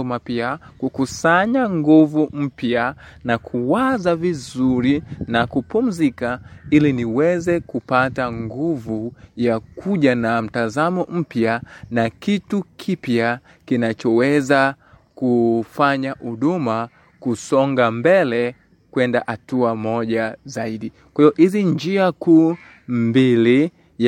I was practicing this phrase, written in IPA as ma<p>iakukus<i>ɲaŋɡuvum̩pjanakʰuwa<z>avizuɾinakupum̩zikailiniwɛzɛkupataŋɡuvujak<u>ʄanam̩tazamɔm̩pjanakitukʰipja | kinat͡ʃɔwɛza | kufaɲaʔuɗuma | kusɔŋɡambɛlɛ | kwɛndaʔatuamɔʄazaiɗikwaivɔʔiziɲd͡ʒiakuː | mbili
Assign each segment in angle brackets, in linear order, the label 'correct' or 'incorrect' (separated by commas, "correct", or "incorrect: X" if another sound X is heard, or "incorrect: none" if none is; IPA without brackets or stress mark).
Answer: correct, incorrect: a, correct, correct